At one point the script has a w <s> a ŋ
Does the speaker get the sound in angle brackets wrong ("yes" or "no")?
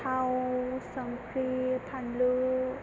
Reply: no